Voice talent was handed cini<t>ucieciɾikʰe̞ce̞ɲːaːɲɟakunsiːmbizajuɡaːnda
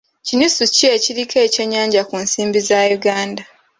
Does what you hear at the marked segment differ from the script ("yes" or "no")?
yes